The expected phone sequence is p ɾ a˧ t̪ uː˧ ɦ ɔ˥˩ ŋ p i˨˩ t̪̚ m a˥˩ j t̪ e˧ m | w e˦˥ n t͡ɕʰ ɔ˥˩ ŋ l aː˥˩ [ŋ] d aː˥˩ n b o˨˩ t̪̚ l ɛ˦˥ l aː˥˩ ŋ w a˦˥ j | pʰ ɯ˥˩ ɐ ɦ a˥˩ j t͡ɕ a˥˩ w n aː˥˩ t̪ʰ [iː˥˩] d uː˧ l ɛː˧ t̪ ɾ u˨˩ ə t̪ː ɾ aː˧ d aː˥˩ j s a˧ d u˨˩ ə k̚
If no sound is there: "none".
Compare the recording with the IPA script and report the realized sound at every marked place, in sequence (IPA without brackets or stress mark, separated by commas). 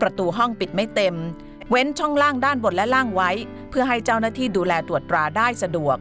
ŋ, iː˥˩